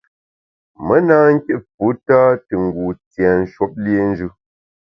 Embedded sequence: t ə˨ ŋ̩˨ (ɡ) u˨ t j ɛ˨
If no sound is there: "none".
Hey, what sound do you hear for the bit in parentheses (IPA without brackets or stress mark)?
ɡ